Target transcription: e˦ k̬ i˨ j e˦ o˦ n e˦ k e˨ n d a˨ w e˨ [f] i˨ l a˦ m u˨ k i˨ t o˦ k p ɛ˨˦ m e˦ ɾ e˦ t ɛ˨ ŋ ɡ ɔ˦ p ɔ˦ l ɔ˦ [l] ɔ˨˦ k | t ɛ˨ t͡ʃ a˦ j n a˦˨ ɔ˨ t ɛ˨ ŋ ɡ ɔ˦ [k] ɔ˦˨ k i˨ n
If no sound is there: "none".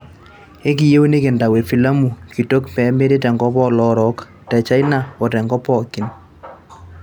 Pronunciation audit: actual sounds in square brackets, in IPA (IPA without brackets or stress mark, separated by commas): f, ɾ, p